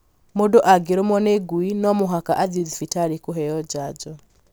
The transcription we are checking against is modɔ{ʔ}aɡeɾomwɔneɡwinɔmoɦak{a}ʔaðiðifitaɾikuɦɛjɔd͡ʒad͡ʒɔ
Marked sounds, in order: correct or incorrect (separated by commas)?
correct, correct